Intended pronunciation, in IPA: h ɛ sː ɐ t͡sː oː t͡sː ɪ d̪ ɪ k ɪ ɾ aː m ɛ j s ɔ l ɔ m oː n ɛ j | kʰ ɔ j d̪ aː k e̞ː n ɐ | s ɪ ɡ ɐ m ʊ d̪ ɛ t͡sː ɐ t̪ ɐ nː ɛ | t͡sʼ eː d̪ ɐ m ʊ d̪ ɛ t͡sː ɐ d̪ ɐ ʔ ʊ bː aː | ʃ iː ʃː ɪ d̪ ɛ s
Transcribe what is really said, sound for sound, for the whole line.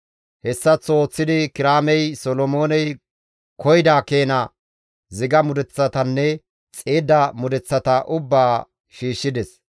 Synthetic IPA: h ɛ sː ɐ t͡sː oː t͡sː ɪ d̪ ɪ k ɪ ɾ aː m ɛ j s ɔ l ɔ m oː n ɛ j | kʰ ɔ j d̪ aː k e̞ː n ɐ | z ɪ ɡ ɐ m ʊ d̪ ɛ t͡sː ɐ t̪ ɐ nː ɛ | t͡sʼ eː d̪ ɐ m ʊ d̪ ɛ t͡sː ɐ t̪ ɐ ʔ ʊ bː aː | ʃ iː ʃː ɪ d̪ ɛ s